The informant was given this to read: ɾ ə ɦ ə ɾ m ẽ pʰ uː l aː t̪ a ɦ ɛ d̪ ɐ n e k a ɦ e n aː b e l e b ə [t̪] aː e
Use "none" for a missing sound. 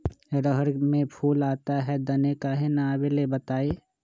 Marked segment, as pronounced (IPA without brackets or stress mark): t̪